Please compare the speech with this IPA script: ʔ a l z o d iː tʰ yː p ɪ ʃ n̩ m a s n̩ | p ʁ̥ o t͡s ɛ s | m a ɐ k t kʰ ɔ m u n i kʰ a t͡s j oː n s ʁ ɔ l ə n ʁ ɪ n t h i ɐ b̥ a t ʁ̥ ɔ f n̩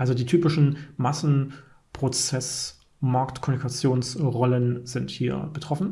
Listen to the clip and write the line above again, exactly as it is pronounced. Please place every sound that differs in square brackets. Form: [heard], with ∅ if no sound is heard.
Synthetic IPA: ʔ a l z o d iː tʰ yː p ɪ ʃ n̩ m a s n̩ | p ʁ̥ o t͡s ɛ s | m a ɐ k t kʰ ɔ m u n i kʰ a t͡s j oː n s ʁ ɔ l ə n [z] ɪ n t h [iː] ɐ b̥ [ə] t ʁ̥ ɔ f n̩